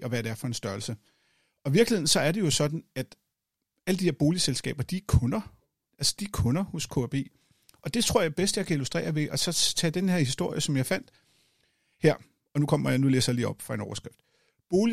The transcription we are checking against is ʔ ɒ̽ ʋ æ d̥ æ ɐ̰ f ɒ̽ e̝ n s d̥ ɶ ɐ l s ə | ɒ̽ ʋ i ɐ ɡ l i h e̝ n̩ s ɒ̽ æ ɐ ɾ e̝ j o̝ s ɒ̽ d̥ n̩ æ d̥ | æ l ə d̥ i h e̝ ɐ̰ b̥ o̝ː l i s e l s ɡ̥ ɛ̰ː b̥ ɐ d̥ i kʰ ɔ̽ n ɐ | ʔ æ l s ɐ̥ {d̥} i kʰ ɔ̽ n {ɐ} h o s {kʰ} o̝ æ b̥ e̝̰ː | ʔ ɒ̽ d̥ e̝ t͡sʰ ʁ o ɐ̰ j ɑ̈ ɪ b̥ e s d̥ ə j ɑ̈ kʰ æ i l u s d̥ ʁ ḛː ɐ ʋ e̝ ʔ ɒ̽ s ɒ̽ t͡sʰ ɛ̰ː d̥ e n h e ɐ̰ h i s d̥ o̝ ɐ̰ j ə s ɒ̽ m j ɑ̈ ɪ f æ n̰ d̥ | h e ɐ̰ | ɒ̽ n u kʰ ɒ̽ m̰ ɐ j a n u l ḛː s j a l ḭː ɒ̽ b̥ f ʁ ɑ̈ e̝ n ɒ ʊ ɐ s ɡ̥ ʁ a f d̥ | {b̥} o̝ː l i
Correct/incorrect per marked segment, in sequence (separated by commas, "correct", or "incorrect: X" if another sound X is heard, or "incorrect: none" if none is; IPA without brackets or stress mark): correct, correct, correct, correct